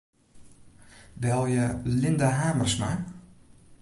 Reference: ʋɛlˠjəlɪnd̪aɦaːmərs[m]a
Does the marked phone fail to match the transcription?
no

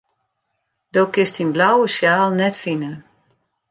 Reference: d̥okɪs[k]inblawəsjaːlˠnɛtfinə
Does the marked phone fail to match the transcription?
yes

